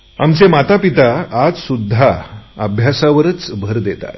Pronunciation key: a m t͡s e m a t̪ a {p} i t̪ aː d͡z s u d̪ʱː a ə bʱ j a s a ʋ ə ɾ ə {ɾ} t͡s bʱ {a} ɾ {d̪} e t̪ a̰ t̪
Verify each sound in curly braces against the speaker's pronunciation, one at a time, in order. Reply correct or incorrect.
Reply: correct, incorrect, incorrect, correct

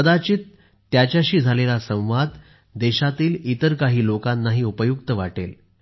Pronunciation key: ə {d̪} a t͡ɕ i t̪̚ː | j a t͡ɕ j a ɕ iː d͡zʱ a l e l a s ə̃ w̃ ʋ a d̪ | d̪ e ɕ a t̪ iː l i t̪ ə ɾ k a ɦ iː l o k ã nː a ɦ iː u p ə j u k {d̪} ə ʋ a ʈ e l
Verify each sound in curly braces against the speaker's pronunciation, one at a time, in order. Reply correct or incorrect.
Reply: correct, incorrect

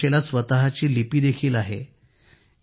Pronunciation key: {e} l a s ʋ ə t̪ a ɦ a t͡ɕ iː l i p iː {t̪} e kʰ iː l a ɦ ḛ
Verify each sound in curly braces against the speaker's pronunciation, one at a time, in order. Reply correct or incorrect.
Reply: correct, incorrect

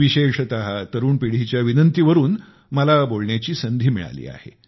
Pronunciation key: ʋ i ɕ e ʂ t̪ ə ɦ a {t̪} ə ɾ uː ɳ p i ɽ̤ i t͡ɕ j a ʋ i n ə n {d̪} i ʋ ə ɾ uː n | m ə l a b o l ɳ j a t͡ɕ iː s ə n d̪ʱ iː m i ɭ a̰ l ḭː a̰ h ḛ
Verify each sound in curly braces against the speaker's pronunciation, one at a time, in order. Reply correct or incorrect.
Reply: correct, incorrect

